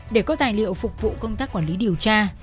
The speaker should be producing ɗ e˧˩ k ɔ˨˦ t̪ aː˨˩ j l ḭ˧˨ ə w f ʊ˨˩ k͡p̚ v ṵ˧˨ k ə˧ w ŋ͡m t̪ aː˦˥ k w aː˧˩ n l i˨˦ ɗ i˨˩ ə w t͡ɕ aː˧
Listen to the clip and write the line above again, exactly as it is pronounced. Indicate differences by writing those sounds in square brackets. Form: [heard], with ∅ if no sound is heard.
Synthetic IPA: ɗ e˧˩ k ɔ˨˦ t̪ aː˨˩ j l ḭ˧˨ ə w f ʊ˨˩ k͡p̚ v ṵ˧˨ k ə˧ w ŋ͡m t̪ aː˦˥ k w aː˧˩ n l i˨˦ ɗ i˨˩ ə w t͡ɕ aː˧